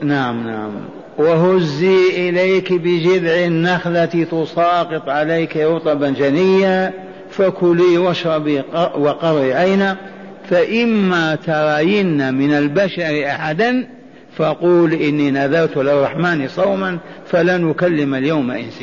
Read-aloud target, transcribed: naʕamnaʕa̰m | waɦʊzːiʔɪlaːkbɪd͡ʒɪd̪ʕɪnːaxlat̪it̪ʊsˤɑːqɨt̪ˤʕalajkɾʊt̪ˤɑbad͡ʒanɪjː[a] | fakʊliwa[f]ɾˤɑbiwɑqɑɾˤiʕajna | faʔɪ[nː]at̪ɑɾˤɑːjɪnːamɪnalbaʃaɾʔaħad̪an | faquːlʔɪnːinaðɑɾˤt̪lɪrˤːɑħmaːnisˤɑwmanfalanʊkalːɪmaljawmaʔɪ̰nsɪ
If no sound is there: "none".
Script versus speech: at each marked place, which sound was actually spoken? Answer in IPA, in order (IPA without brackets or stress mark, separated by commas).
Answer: a, ʃ, mː